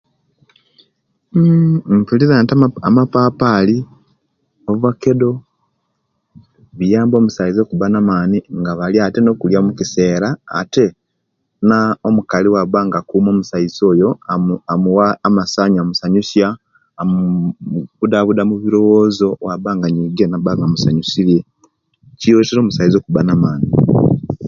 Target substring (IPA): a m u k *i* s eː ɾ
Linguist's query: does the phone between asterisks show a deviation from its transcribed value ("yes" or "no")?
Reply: no